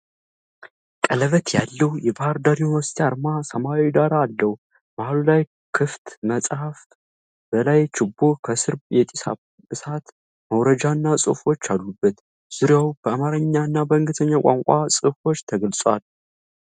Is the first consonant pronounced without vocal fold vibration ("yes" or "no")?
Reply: yes